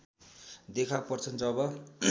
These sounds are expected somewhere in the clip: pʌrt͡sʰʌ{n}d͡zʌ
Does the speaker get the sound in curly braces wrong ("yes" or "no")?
no